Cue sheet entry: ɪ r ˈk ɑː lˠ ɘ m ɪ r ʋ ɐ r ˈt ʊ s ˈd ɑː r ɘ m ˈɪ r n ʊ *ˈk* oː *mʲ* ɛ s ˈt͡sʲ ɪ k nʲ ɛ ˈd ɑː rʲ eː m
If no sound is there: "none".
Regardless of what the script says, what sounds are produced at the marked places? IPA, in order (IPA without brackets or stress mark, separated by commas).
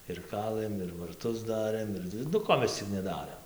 k, mʲ